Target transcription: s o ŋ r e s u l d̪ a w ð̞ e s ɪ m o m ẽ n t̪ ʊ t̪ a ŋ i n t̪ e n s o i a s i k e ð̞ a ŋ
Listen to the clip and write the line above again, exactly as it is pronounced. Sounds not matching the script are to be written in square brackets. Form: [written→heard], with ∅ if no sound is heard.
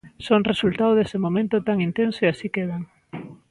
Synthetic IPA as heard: s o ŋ r e s u l [d̪→t̪] a w ð̞ e s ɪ m o m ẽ n t̪ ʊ t̪ a ŋ i n t̪ e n s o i a s i k e ð̞ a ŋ